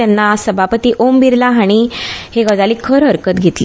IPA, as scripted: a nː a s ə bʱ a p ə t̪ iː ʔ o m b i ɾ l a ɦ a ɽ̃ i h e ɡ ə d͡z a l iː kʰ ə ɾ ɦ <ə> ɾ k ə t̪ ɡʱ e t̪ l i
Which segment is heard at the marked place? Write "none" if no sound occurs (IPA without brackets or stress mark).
ə